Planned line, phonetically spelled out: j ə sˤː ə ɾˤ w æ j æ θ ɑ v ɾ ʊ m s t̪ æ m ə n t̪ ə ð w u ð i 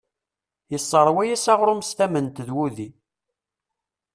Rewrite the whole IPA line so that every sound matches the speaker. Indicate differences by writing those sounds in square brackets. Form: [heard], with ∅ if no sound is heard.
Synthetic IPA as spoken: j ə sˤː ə ɾˤ w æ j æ [s] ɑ [ʁ] ɾ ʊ m s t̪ æ m ə n t̪ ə ð w u ð i